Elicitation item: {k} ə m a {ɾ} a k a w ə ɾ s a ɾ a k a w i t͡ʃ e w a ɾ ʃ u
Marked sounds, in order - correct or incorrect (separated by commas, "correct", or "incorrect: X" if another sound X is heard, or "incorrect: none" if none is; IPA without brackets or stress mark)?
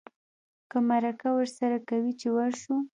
correct, correct